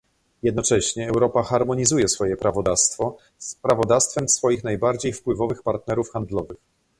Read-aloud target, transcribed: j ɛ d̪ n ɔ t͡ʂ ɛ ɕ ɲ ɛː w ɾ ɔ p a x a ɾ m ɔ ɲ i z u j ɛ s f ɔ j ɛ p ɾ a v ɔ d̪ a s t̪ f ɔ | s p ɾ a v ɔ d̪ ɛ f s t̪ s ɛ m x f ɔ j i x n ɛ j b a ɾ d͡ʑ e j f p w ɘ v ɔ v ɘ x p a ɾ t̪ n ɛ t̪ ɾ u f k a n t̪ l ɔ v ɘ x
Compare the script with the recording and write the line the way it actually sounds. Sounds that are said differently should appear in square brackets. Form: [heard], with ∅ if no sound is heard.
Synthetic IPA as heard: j ɛ d̪ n ɔ t͡ʂ ɛ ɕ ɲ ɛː w ɾ ɔ p a x a ɾ m ɔ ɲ i z u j ɛ s f ɔ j ɛ p ɾ a v ɔ d̪ a s t̪ f ɔ | s p ɾ a v ɔ d̪ [a] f s t̪ [f] ɛ m [s] f ɔ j i x n [a] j b a ɾ d͡ʑ e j f p w ɘ v ɔ v ɘ x p a ɾ t̪ n ɛ [∅] ɾ u f [x] a n [d̪] l ɔ v ɘ x